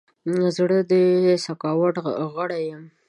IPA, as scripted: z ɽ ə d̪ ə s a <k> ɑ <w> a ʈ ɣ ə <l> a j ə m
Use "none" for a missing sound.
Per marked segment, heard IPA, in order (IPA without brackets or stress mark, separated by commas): k, w, ɽ